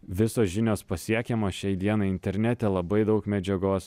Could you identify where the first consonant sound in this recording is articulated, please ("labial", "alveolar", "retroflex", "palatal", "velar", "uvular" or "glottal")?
labial